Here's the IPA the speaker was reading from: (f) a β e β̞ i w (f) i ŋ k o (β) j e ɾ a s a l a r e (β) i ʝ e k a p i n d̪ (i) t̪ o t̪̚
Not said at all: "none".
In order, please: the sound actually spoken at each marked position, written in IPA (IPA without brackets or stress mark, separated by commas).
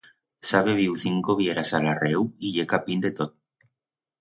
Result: s, θ, β, w, e